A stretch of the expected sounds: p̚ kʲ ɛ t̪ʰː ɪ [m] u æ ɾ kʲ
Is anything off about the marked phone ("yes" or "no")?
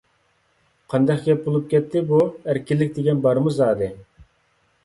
yes